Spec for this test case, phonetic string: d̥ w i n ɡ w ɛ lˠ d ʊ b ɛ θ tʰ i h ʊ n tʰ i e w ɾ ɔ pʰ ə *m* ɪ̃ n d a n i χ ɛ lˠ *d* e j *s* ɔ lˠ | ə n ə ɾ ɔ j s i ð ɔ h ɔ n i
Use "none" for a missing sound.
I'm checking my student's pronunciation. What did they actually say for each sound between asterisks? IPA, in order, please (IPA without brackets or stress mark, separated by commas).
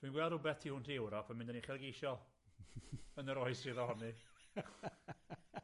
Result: m, ɡ, ʃ